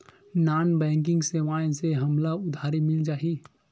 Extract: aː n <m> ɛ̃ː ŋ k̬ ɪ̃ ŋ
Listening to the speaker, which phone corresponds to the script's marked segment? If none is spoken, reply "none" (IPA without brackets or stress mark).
b